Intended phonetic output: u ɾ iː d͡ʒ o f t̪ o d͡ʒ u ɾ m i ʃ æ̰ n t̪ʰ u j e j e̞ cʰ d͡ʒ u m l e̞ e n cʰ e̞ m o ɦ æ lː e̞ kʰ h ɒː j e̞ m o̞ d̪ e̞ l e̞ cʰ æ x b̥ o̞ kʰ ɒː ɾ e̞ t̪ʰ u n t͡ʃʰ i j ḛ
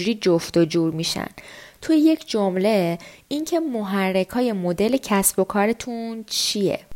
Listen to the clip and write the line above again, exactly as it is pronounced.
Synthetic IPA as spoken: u ɾ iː d͡ʒ o f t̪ o d͡ʒ u ɾ m i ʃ æ̰ n t̪ʰ u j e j e̞ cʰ d͡ʒ o m l e̞ i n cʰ e̞ m o ɦ æ rː e̞ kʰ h ɒː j e̞ m o̞ d̪ e̞ l e̞ cʰ æ s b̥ o̞ kʰ ɒː ɾ e̞ t̪ʰ u n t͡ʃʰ i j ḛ